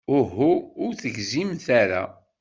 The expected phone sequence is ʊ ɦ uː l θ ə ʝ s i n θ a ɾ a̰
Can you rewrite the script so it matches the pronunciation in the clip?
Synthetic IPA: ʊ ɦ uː ɾ θ ə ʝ z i m θ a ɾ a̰